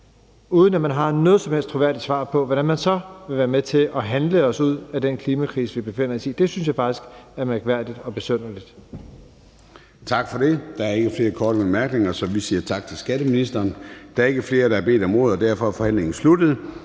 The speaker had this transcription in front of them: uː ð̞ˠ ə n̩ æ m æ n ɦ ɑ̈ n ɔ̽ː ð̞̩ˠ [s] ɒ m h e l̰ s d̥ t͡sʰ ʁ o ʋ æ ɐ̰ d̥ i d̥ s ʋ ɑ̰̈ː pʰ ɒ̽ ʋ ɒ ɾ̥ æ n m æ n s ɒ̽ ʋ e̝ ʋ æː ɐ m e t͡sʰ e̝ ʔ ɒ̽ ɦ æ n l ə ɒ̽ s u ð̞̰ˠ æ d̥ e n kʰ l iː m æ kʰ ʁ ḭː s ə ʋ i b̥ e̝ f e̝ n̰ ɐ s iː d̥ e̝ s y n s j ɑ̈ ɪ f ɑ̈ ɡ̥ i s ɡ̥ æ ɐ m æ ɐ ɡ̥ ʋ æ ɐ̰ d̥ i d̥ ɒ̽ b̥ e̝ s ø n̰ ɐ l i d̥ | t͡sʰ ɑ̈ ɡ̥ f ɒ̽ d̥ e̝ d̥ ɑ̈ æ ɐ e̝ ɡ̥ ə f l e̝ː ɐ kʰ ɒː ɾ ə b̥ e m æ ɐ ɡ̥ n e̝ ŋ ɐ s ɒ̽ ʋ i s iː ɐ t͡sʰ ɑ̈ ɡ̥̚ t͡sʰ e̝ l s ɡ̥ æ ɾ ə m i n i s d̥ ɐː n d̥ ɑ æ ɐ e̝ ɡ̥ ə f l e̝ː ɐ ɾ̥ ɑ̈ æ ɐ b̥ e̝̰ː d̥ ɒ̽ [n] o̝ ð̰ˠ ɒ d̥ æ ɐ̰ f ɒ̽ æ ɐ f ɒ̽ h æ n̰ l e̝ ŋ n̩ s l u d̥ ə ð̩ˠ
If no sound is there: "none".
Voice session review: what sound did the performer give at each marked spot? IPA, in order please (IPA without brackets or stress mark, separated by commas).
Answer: s, m